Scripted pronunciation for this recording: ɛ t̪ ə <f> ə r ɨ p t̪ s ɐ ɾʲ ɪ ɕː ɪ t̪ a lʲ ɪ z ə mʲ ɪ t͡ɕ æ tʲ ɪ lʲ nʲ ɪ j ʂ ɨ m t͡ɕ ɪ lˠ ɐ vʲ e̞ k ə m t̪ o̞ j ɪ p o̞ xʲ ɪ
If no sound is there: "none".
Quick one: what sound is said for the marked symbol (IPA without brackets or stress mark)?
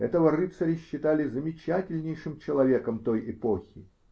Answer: v